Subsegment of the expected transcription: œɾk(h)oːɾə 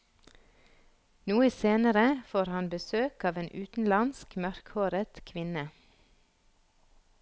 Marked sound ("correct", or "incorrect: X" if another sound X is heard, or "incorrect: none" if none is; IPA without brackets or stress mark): correct